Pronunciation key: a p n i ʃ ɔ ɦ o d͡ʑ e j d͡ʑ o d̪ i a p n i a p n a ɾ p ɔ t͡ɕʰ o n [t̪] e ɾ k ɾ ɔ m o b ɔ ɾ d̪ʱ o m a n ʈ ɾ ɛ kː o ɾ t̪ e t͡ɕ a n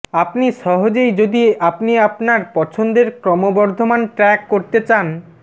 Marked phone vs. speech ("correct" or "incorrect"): incorrect